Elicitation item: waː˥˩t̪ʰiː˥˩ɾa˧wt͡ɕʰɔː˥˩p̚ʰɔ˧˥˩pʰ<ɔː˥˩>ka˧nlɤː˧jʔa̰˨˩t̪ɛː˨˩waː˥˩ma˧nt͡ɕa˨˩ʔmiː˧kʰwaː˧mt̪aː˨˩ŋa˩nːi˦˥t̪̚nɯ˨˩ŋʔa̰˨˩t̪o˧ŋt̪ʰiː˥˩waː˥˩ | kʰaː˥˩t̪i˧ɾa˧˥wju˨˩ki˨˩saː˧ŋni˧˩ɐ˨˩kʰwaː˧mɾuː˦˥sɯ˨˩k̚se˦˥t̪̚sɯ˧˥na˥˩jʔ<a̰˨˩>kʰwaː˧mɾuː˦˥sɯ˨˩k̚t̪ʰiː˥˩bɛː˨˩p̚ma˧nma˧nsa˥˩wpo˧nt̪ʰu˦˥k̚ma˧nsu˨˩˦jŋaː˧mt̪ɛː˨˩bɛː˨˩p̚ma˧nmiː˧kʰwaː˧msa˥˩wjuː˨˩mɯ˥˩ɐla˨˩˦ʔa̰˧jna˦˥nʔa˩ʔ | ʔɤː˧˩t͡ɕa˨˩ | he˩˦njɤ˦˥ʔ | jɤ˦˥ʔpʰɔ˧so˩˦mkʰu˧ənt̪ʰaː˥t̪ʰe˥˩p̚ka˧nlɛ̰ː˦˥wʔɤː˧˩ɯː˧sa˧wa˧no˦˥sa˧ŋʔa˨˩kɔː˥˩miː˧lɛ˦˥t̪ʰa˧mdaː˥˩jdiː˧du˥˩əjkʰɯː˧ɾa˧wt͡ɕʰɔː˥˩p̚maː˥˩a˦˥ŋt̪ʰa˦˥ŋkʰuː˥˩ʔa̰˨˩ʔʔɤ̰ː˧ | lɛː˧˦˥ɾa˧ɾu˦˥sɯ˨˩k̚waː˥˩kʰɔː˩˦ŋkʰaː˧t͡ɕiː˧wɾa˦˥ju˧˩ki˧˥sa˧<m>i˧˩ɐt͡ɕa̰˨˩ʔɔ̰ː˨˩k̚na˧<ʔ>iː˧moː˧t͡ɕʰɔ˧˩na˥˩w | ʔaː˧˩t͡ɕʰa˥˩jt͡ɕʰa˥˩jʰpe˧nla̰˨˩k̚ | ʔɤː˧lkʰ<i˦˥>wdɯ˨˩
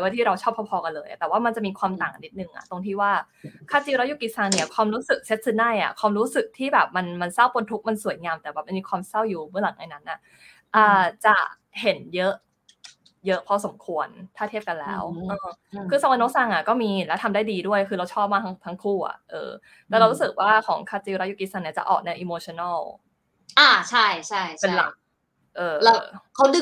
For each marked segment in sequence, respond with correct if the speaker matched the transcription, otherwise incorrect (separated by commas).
incorrect, correct, incorrect, correct, incorrect